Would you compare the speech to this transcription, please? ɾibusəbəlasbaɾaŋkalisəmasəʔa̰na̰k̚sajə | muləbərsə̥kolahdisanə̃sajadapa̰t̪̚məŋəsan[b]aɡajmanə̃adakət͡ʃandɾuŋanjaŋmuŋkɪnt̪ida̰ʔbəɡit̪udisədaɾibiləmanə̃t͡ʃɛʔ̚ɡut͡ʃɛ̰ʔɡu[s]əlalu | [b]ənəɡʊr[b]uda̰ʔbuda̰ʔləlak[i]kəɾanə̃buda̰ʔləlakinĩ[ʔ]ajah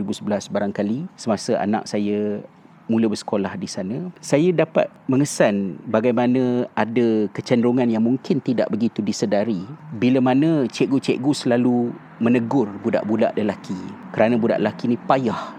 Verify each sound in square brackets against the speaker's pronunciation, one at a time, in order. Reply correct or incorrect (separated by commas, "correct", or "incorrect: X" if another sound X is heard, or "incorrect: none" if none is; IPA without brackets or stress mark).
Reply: correct, correct, incorrect: m, correct, correct, incorrect: p